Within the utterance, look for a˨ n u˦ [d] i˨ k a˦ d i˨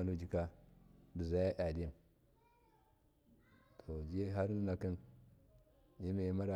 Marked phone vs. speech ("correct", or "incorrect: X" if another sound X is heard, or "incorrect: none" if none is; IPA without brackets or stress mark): incorrect: d͡ʒ